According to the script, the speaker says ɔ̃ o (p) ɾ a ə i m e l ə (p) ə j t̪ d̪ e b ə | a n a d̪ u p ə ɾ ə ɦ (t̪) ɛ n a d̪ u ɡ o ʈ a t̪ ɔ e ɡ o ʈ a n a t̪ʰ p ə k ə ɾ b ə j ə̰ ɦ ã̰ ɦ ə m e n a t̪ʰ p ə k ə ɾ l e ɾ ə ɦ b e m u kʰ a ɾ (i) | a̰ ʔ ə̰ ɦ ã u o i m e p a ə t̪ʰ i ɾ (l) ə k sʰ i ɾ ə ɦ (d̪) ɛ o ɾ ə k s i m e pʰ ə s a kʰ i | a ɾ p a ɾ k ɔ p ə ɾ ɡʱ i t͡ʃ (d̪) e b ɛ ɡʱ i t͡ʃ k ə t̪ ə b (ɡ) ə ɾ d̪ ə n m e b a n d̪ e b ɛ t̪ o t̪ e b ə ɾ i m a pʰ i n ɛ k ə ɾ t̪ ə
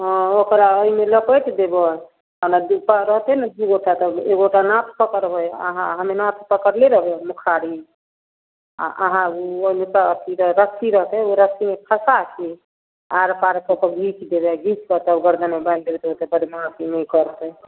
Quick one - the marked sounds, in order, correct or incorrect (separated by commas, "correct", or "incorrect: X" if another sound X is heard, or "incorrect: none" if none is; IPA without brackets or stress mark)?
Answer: incorrect: k, correct, correct, correct, incorrect: ɾ, incorrect: t̪, correct, correct